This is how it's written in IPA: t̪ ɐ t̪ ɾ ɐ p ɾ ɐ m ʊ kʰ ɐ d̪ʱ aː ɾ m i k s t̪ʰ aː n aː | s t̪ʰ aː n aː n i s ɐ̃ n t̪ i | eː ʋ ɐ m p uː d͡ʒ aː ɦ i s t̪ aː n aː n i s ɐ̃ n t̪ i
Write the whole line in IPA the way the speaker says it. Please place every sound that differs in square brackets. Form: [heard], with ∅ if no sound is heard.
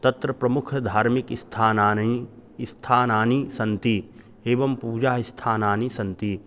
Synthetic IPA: t̪ ɐ t̪ ɾ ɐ p ɾ ɐ m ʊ kʰ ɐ d̪ʱ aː ɾ m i k s t̪ʰ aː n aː | s t̪ʰ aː n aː n i s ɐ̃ n t̪ i | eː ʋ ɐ m p uː d͡ʒ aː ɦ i s [t̪ʰ] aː n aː n i s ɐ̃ n t̪ i